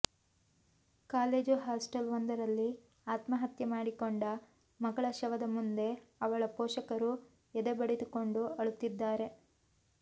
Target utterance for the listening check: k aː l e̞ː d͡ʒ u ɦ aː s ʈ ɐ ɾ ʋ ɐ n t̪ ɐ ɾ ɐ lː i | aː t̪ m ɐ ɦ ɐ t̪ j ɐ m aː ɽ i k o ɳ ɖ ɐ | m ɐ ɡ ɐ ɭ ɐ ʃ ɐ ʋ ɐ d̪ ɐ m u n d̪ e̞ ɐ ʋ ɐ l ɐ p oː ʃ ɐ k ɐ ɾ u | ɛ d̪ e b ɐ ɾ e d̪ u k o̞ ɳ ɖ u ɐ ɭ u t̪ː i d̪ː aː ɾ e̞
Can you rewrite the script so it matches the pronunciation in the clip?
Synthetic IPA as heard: k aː l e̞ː d͡ʒ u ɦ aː s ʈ ɐ l ʋ ɐ n d̪ ɐ ɾ ɐ lː i | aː t̪ m ɐ ɦ ɐ t̪ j ɐ m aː ɽ i k o ɳ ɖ ɐ | m ɐ ɡ ɐ ɭ ɐ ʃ ɐ ʋ ɐ d̪ ɐ m u n d̪ e̞ ɐ ʋ ɐ ɭ ɐ p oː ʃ ɐ k ɐ ɾ u | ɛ d̪ e b ɐ ɽ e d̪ u k o̞ ɳ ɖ u ɐ ɭ u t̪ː i d̪ː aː ɾ e̞